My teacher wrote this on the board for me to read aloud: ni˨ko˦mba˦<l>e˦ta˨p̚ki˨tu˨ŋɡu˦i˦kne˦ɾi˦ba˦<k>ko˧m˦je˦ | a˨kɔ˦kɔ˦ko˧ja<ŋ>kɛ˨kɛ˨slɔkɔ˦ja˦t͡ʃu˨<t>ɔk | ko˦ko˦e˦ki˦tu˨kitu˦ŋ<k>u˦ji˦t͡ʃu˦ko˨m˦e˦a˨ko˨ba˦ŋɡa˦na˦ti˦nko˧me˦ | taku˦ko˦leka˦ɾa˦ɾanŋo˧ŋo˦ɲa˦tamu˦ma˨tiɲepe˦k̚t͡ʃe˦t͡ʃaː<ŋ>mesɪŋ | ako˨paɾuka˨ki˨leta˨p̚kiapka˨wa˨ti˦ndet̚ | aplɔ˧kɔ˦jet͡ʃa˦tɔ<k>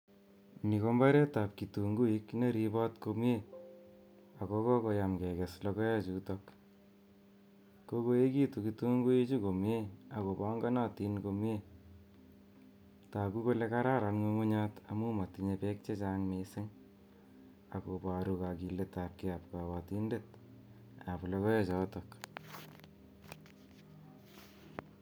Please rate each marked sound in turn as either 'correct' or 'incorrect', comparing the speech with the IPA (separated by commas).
incorrect, incorrect, incorrect, correct, incorrect, correct, correct